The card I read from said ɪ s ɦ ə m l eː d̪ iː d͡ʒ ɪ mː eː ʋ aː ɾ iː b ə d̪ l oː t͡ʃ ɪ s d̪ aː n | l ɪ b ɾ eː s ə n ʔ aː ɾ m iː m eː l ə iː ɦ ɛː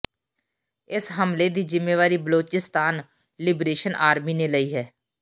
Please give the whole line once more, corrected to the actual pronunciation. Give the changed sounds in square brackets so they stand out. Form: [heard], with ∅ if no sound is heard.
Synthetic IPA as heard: ɪ s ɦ ə m l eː d̪ iː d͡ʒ ɪ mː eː ʋ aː ɾ iː b ə [∅] l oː t͡ʃ ɪ s [t̪] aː n | l ɪ b ɾ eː [ʃ] ə n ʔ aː ɾ m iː [n] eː l ə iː ɦ ɛː